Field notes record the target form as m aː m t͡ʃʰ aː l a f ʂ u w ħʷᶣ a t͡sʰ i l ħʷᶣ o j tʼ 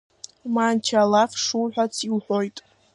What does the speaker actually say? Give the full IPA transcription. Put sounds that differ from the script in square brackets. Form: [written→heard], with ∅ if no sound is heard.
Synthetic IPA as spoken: m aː [m→n] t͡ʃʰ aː l a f ʂ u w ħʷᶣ a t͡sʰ i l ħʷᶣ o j tʼ